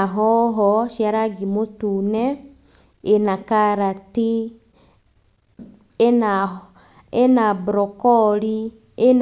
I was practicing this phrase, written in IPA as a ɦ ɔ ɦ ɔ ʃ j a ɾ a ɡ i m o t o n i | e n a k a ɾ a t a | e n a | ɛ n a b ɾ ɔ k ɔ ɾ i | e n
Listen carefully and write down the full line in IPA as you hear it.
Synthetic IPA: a ɦ ɔ ɦ ɔ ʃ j a ɾ a ɡ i m o t u n ɛ | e n a k a ɾ a t i | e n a | e n a b ɾ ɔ k ɔ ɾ i | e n